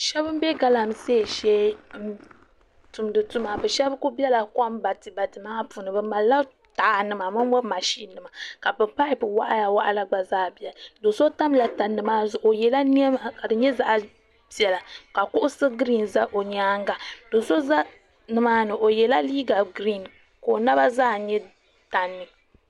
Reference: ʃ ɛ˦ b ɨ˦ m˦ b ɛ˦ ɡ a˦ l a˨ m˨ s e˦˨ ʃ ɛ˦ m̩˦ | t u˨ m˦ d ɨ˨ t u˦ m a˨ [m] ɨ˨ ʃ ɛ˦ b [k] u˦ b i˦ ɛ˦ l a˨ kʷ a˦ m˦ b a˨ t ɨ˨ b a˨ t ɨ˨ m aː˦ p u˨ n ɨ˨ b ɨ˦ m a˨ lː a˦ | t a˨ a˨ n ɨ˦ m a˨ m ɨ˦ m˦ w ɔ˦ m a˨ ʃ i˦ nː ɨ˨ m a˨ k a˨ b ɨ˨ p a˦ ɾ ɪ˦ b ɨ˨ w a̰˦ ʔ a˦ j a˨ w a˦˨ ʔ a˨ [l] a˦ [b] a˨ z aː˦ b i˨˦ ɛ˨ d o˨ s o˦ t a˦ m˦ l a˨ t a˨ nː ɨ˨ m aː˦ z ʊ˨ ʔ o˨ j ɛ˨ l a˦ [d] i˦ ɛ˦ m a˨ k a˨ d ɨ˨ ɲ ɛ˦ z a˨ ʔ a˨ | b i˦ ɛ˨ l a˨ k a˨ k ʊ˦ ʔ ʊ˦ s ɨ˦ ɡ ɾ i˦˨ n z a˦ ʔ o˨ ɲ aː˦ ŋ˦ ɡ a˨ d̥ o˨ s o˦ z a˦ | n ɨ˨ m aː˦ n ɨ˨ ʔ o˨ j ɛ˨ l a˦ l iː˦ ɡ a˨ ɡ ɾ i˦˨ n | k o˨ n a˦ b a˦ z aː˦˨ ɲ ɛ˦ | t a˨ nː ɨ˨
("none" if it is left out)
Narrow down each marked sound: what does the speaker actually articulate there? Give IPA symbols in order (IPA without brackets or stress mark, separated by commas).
b, k, l, ɡ͡b, n